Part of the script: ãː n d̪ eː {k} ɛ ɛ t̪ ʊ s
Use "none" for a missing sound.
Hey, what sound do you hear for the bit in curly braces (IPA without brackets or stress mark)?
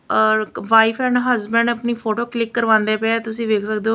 p